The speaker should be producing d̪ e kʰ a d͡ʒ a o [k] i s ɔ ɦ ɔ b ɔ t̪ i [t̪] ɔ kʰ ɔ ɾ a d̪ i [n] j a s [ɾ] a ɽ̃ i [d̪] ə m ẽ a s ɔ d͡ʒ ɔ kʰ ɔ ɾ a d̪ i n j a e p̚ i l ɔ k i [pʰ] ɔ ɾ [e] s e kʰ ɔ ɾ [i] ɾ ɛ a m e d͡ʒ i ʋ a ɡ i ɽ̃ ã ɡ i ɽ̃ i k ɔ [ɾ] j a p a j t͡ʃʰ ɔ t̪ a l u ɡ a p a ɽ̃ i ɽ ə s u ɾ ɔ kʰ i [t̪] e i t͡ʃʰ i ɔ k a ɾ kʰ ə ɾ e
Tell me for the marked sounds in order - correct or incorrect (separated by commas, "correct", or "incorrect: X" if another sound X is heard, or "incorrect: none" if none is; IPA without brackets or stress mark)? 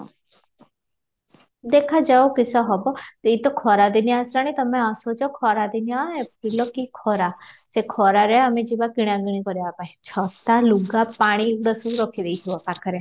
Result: correct, correct, correct, correct, incorrect: t̪, incorrect: kʰ, incorrect: a, incorrect: a, correct, incorrect: d̪